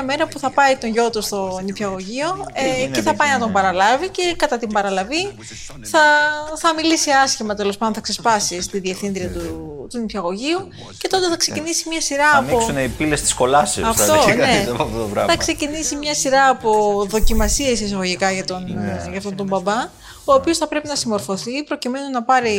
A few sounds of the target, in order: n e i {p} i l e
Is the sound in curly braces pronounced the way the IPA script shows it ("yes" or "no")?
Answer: yes